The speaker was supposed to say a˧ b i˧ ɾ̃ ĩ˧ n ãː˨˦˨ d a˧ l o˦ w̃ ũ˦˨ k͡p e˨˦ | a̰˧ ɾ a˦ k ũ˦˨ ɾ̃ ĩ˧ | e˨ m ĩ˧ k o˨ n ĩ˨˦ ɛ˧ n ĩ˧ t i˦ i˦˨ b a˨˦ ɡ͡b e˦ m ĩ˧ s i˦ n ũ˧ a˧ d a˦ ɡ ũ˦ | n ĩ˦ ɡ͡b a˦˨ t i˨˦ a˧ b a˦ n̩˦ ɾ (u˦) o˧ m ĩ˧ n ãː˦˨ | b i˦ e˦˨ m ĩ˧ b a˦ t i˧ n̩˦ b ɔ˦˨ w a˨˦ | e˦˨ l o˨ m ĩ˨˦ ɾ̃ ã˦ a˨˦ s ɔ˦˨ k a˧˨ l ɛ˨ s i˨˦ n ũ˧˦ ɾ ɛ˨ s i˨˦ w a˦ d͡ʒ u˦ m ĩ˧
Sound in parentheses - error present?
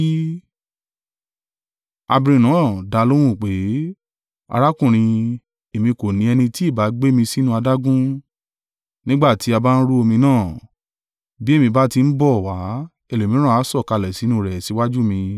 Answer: no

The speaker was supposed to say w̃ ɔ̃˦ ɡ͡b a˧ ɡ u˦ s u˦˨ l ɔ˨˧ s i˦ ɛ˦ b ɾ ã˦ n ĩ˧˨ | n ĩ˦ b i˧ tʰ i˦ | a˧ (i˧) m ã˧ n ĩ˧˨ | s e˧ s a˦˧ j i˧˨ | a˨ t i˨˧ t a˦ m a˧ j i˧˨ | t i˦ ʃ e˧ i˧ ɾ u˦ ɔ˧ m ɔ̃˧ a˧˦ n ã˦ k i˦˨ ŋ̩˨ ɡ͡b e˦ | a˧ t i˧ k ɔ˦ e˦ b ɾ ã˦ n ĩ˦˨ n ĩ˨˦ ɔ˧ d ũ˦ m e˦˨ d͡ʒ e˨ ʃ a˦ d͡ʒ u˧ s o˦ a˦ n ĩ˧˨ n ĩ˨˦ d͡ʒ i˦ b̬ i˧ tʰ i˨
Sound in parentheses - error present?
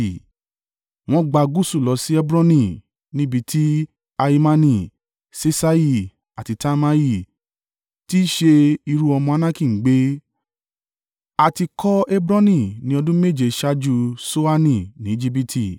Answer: no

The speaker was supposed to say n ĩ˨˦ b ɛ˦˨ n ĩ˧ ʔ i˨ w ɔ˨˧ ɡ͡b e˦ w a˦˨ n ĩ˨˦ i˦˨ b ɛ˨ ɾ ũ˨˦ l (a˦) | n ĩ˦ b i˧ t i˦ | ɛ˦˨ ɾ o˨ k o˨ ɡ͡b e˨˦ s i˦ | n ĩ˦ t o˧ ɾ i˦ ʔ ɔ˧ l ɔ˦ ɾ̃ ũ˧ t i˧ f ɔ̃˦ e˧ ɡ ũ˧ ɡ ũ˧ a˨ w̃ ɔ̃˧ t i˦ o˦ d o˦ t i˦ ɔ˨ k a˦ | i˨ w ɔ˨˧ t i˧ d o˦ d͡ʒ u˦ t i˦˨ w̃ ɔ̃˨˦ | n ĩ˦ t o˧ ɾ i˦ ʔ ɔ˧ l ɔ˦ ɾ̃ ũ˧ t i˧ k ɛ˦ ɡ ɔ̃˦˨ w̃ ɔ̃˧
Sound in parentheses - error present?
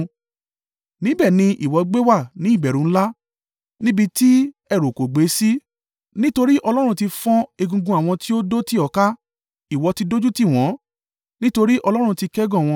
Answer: no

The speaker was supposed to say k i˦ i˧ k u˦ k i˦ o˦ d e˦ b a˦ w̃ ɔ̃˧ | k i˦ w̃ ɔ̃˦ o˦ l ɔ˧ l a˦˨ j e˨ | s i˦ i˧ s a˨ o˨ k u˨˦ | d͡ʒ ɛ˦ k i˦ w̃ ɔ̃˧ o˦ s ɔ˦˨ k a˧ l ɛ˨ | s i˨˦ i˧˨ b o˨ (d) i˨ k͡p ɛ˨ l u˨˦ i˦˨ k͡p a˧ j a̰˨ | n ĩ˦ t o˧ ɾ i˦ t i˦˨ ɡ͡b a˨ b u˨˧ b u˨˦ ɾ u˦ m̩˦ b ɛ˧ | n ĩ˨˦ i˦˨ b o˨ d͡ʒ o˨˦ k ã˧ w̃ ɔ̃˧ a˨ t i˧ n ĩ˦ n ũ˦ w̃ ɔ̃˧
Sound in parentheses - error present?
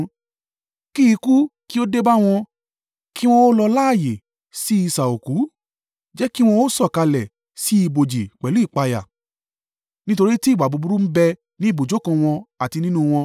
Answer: yes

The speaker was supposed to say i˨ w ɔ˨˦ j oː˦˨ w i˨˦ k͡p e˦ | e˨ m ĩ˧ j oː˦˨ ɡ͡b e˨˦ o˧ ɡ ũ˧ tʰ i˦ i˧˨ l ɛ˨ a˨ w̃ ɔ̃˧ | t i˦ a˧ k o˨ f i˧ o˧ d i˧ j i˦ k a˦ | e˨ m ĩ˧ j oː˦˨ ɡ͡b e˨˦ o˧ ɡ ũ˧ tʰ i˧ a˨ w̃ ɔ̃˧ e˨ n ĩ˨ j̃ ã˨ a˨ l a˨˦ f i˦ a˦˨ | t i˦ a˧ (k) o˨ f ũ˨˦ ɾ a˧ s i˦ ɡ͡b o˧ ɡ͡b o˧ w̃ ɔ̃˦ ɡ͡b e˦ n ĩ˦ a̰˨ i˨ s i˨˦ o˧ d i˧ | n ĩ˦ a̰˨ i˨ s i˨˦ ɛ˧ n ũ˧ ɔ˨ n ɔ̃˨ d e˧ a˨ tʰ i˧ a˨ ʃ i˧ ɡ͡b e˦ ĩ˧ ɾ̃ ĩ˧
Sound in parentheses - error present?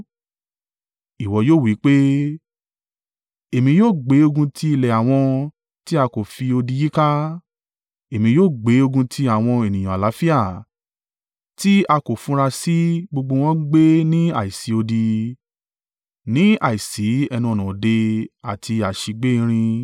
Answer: no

